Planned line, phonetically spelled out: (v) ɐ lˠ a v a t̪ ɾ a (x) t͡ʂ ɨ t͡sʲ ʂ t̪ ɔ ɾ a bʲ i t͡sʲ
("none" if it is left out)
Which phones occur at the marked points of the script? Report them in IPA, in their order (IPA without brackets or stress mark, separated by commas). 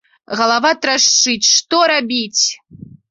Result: ɣ, ʂ